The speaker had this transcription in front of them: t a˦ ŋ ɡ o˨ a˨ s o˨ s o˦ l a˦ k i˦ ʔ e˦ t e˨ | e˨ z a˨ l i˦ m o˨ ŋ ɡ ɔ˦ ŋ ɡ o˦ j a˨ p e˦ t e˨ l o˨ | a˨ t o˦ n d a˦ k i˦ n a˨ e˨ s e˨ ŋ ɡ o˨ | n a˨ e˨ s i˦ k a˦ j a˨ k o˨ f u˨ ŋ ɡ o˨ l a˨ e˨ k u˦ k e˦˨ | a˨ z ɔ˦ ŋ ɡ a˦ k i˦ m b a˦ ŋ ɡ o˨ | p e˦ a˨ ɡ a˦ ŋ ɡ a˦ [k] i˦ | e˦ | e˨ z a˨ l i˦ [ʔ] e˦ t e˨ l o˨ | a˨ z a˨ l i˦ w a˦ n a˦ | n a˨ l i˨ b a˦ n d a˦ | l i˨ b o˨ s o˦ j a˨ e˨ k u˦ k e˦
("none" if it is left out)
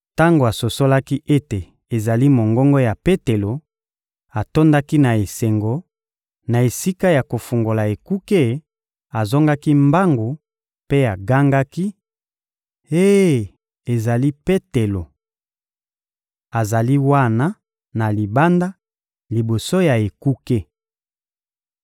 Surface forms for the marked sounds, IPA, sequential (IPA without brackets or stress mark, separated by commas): k, p